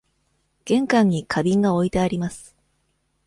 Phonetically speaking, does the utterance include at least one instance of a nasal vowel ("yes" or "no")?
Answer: yes